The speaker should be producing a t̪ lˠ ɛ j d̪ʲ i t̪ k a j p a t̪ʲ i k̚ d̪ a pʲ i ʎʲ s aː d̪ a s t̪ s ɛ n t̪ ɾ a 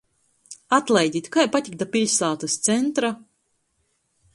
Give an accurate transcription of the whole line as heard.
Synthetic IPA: a t̪ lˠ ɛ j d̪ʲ i t̪ k a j p a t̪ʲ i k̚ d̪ a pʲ i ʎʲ s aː t̪ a s t̪ s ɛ n t̪ ɾ a

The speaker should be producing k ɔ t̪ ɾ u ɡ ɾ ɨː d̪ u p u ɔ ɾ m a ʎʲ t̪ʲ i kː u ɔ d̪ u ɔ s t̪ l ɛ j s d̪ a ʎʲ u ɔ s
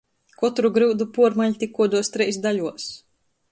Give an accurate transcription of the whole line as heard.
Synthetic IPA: k ɔ t̪ ɾ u ɡ ɾ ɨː d̪ u p u ɔ ɾ m a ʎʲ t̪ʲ i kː u ɔ d̪ u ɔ s t̪ ɾ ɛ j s d̪ a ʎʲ u ɔ s

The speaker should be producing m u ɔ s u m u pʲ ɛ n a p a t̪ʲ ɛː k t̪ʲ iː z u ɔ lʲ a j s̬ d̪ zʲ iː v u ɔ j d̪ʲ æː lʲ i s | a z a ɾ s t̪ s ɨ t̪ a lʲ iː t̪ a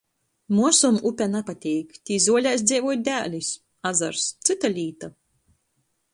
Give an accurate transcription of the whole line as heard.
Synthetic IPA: m u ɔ s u m u pʲ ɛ n a p a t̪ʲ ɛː k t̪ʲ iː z u ɔ lʲ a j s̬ d̪ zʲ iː v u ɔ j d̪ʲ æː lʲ i s | a z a ɾ s t̪ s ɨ t̪ a lʲ iː t̪ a

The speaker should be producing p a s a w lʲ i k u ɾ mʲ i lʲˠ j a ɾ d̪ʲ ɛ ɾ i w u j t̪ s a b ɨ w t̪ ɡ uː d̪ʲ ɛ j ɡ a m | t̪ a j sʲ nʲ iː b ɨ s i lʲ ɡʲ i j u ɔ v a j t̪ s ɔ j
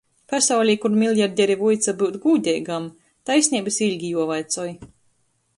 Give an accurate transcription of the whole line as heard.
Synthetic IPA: p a s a w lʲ i k u ɾ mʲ i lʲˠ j a ɾ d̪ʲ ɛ ɾ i v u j t̪ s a b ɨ w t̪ ɡ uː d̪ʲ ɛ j ɡ a m | t̪ a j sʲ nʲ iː b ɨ s i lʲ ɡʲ i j u ɔ v a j t̪ s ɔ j

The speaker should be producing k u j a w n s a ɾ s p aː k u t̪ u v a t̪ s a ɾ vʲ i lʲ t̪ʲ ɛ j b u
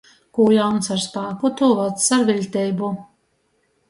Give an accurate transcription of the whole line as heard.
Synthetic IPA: k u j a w n s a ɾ s p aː k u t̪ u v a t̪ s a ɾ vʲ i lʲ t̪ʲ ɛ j b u

